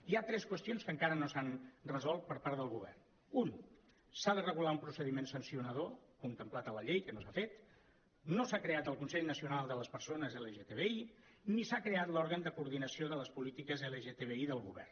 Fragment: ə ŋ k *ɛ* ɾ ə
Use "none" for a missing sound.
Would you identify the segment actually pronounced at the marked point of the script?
a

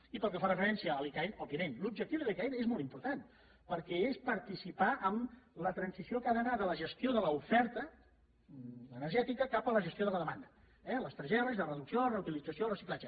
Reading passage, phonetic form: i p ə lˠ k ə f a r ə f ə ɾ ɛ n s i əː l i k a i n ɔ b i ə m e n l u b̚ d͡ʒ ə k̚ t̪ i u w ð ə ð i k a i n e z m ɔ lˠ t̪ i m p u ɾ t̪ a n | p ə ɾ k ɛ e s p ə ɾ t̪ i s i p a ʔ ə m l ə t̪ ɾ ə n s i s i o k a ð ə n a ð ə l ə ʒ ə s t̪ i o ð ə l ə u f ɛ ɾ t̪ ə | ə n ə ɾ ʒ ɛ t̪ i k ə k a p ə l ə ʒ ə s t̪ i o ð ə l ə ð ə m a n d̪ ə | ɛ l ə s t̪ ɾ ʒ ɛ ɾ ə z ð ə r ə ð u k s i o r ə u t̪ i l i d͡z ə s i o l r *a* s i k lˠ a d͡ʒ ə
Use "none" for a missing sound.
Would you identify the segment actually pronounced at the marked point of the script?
ə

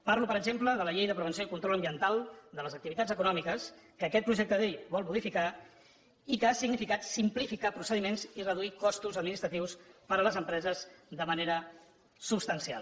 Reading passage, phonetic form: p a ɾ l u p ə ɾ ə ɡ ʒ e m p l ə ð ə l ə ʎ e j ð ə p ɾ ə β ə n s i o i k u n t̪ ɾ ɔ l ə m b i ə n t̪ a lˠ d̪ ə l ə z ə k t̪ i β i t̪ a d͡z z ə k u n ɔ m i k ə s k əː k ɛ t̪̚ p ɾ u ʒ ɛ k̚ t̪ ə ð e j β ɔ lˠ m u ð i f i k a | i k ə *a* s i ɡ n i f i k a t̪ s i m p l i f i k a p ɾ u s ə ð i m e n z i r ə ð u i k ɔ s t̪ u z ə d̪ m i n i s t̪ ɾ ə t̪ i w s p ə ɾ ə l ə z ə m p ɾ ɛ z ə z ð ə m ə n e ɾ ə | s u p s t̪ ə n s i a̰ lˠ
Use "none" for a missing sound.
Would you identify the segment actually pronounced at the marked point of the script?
a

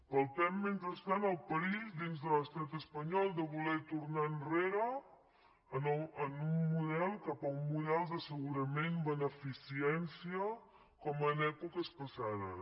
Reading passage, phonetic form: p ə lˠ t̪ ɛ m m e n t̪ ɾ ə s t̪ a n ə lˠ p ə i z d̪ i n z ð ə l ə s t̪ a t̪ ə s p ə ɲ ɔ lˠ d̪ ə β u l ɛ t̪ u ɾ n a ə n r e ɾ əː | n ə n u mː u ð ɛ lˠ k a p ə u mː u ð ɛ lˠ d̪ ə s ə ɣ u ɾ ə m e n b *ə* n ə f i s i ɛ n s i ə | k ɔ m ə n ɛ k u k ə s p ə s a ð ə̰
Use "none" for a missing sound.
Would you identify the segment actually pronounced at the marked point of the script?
ə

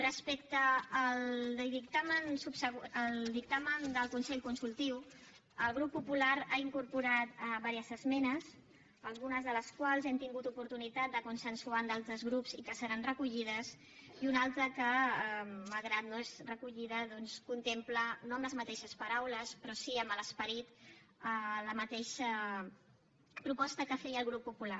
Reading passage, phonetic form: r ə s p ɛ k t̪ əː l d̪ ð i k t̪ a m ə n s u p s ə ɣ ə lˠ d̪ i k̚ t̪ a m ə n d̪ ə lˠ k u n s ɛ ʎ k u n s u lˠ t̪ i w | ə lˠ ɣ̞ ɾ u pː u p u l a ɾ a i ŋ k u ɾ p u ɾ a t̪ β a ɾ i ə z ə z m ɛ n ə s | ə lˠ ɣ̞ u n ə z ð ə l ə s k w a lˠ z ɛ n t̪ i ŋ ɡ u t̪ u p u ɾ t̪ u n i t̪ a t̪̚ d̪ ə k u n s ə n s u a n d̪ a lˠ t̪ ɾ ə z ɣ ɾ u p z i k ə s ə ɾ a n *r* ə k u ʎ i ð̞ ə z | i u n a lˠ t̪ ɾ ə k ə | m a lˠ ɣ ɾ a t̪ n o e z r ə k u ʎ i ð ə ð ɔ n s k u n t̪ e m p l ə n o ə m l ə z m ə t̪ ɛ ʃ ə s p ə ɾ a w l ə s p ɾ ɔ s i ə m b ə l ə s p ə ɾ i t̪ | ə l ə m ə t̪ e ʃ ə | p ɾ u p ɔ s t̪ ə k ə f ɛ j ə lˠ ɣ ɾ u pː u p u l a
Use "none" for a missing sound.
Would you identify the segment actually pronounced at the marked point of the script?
r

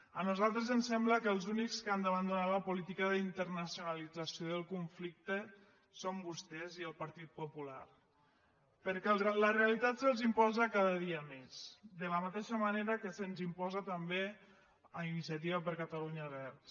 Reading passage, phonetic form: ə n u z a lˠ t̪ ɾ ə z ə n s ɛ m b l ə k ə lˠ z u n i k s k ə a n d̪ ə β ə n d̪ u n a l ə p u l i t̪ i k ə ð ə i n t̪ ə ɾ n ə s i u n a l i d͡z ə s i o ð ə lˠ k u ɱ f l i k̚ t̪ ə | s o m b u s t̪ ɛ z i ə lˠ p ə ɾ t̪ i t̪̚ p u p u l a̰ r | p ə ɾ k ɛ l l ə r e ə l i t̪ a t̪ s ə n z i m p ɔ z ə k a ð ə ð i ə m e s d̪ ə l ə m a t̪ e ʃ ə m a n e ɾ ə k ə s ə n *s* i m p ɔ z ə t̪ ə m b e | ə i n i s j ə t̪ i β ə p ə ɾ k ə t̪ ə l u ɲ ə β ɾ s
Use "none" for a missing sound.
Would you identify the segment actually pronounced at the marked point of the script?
z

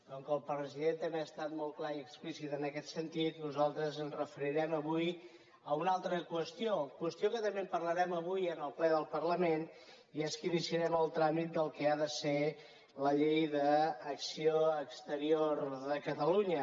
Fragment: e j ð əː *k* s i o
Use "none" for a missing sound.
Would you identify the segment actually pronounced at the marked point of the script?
k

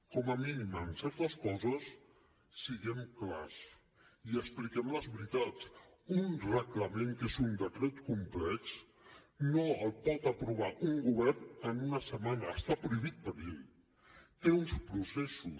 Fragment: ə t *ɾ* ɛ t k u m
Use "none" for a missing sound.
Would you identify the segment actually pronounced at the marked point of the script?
ɾ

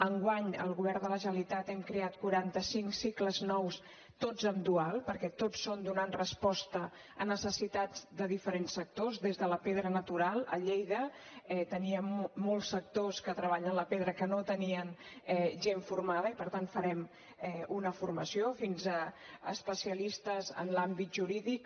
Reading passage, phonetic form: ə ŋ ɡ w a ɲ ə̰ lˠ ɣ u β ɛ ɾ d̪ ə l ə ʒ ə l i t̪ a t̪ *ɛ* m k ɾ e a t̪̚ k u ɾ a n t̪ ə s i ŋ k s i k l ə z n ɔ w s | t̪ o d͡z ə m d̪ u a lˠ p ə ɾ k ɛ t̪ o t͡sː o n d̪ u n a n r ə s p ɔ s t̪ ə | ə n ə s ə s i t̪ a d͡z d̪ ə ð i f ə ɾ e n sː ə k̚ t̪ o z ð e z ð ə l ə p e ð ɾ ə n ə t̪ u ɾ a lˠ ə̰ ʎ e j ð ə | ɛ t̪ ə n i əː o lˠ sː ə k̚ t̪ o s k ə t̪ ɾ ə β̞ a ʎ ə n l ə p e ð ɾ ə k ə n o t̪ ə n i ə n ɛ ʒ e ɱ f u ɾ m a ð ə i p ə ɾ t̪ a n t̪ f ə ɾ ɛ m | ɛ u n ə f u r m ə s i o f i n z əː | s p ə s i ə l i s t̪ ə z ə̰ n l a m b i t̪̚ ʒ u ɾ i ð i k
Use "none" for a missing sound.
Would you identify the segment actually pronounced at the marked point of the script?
ɛ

